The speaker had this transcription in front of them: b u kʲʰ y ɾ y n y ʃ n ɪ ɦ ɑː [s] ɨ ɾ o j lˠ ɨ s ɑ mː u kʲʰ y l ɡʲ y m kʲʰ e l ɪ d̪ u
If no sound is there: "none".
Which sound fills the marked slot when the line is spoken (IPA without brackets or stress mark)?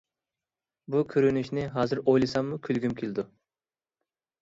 z